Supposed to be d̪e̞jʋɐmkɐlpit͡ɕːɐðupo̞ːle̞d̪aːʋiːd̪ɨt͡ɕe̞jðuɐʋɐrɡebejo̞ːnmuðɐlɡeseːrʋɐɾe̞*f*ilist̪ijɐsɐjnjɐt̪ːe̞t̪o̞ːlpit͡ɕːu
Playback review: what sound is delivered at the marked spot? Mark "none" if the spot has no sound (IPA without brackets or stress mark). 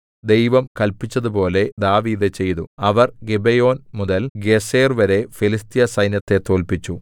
f